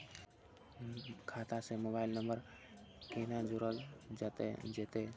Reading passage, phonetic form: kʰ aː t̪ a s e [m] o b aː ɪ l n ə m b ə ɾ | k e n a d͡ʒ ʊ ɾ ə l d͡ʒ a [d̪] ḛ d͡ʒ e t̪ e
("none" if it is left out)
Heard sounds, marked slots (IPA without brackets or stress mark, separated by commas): m, t̪